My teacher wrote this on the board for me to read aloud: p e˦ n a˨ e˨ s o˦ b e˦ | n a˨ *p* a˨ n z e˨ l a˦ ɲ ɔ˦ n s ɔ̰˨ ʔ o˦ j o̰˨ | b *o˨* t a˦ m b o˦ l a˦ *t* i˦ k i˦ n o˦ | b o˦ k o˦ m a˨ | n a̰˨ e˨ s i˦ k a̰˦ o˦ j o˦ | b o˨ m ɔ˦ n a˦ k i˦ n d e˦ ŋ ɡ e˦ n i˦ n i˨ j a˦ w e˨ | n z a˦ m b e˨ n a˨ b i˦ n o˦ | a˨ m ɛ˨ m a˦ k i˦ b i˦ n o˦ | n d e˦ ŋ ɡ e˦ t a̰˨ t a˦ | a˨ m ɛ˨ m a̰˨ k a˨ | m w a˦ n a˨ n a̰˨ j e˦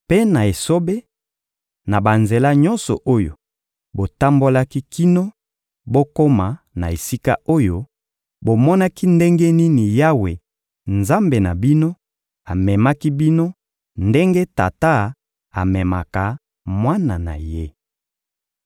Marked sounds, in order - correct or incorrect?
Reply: incorrect, correct, incorrect

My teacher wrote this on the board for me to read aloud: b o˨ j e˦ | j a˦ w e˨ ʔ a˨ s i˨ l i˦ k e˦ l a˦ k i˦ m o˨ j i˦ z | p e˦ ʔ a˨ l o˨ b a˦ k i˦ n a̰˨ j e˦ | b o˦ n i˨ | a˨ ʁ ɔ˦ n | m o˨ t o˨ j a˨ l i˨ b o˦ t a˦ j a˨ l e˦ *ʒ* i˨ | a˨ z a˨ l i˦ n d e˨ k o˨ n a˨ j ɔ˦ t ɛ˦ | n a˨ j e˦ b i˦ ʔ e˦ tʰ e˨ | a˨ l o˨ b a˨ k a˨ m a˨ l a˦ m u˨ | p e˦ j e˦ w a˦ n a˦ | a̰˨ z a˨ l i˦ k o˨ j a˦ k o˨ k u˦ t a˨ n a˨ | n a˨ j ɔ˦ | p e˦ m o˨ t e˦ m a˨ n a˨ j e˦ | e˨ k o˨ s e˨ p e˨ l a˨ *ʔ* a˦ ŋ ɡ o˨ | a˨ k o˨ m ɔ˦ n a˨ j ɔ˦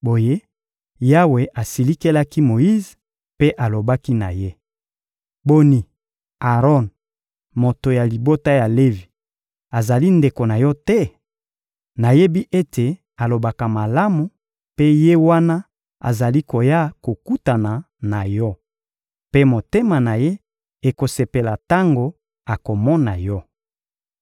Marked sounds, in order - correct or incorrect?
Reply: incorrect, incorrect

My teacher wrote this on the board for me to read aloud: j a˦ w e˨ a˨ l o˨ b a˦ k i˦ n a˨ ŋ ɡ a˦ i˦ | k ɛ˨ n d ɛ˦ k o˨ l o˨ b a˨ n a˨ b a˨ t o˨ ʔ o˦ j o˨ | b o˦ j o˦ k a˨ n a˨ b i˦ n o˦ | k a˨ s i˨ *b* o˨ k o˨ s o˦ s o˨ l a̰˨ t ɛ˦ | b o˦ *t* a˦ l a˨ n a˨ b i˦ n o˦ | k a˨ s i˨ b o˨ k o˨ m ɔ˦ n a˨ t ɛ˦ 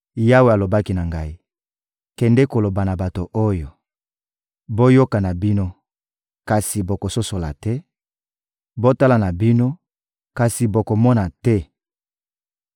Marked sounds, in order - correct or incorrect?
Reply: correct, correct

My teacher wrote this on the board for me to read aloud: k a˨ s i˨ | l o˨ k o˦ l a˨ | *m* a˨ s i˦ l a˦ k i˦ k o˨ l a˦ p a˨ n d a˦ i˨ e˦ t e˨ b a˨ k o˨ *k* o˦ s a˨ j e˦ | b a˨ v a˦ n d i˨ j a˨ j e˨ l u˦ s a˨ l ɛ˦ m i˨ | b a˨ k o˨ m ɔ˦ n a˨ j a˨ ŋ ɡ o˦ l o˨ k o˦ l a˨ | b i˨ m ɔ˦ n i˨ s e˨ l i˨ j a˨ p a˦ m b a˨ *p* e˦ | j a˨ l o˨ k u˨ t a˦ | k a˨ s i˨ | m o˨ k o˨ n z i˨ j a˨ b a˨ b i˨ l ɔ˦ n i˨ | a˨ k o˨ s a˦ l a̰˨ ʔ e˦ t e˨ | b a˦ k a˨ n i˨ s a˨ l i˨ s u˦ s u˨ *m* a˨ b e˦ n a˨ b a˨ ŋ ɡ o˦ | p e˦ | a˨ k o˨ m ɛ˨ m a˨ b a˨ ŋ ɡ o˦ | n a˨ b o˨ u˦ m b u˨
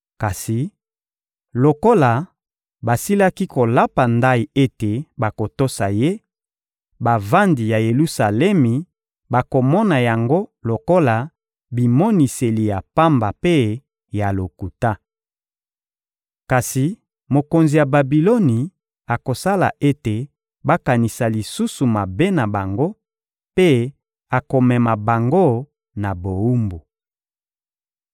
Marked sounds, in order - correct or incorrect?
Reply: incorrect, incorrect, correct, correct

